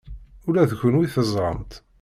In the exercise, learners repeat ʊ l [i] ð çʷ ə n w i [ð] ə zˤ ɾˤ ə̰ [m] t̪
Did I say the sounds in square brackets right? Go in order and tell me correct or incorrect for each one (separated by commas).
incorrect, incorrect, correct